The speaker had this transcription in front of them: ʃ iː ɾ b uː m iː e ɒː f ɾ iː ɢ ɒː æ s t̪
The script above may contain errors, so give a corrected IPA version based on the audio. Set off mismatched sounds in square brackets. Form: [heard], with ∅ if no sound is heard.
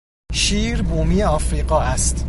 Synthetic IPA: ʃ iː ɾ b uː m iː e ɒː f ɾ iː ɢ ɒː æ s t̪